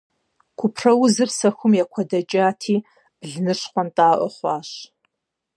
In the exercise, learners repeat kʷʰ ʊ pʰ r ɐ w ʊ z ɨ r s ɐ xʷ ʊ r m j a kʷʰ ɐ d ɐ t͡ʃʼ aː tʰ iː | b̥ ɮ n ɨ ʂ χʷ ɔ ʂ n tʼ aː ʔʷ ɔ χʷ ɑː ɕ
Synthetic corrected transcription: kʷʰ ʊ pʰ r ɐ w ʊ z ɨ r s ɐ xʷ ʊ m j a kʷʰ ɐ d ɐ t͡ʃʼ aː tʰ iː | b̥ ɮ n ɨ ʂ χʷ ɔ n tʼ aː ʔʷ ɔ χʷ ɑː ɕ